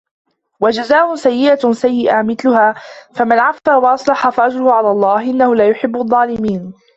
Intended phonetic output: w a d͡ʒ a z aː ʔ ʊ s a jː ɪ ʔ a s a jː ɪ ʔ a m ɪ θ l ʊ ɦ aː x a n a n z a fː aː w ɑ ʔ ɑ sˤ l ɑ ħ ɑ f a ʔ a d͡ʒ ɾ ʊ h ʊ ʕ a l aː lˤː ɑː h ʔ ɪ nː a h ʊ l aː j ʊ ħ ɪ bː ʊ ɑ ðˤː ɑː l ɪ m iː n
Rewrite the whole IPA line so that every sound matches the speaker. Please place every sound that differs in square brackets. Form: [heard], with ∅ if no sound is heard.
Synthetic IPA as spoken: w a d͡ʒ a z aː ʔ ʊ s a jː ɪ ʔ a s a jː ɪ ʔ a m ɪ θ l ʊ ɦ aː [f] a [m] a n [ʕ] a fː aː w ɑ ʔ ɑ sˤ l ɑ ħ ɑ f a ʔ a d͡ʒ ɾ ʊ h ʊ ʕ a l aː lˤː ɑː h ʔ ɪ nː a h ʊ l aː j ʊ ħ ɪ bː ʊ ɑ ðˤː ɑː l ɪ m iː n